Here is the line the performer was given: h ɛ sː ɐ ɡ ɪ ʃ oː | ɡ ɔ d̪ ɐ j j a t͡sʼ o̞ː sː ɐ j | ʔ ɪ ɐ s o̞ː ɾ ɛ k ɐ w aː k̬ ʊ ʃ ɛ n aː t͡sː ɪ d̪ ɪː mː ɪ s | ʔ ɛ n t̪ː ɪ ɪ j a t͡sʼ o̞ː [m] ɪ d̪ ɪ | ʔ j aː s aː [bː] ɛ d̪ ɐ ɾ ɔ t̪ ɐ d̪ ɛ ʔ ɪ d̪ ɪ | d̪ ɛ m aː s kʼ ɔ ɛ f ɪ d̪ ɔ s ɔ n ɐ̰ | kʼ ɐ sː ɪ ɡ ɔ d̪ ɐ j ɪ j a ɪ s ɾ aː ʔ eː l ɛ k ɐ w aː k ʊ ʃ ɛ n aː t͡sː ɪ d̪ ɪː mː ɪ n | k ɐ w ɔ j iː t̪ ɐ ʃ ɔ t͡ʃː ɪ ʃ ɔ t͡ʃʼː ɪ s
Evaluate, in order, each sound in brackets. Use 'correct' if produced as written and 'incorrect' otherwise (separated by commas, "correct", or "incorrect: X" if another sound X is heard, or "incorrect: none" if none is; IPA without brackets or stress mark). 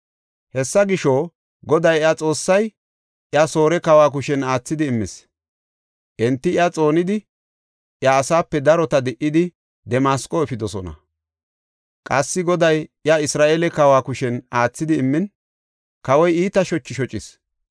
incorrect: n, incorrect: pː